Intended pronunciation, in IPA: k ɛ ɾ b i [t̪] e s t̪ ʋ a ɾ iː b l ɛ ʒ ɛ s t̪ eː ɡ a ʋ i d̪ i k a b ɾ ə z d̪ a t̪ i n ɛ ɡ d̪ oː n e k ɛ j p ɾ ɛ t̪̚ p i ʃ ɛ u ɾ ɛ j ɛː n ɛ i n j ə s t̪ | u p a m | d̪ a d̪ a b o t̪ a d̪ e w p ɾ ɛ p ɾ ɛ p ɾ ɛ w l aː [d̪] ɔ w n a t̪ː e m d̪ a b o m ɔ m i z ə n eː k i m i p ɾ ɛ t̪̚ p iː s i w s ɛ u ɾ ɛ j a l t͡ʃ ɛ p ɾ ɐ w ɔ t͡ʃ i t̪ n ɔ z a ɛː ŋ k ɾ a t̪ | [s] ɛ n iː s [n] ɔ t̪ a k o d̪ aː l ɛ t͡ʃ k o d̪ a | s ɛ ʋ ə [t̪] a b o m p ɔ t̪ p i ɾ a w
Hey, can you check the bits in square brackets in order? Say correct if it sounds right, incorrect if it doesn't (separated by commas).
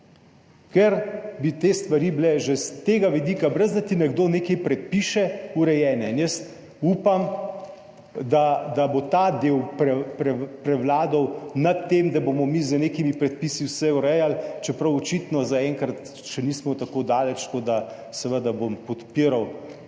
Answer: correct, correct, incorrect, incorrect, incorrect